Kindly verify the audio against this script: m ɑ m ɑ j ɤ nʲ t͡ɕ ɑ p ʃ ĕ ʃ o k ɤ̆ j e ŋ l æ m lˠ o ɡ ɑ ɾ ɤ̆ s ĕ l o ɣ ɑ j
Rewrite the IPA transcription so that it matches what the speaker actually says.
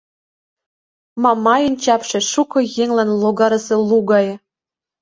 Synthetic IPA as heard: m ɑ m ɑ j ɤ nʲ t͡ɕ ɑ p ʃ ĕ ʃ u k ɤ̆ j e ŋ l æ n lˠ o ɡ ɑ ɾ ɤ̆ s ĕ l u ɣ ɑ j